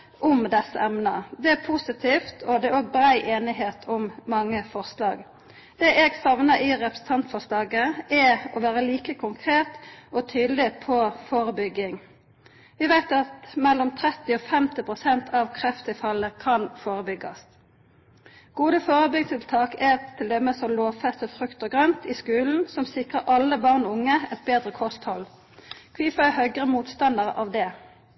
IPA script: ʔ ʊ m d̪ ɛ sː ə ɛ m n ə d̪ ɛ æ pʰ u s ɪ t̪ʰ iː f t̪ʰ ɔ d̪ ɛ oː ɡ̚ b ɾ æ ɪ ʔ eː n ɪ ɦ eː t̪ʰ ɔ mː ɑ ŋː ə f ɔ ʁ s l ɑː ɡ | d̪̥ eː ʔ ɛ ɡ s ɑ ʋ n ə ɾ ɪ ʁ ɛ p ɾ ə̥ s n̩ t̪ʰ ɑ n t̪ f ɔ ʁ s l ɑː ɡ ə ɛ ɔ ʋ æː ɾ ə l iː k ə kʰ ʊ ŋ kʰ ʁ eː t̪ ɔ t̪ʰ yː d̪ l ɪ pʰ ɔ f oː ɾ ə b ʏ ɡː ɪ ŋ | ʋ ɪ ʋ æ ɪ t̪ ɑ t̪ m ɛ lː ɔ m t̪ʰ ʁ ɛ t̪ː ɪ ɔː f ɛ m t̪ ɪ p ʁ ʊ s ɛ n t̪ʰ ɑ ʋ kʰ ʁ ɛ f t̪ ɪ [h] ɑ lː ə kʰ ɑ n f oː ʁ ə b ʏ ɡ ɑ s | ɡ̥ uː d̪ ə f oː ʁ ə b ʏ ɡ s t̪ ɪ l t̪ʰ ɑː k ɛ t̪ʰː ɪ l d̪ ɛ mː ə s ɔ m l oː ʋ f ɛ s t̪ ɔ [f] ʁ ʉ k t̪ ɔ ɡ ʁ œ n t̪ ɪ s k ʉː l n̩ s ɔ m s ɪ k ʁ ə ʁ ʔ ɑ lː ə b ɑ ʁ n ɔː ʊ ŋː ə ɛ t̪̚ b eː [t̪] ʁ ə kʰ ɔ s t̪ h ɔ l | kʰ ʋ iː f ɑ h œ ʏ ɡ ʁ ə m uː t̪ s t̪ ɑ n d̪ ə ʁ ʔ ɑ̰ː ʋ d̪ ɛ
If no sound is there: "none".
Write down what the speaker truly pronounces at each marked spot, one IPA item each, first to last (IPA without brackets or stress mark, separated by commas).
f, f, d̪